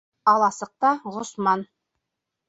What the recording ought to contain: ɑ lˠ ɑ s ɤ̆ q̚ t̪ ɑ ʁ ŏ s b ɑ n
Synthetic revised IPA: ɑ lˠ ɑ s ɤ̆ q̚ t̪ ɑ ʁ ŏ s m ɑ n